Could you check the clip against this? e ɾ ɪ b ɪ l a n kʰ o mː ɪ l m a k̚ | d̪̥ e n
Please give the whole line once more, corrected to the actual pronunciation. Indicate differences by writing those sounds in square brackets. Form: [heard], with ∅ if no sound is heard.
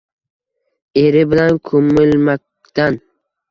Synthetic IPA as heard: e ɾ ɪ b ɪ l a n kʰ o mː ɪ l m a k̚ | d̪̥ [a] n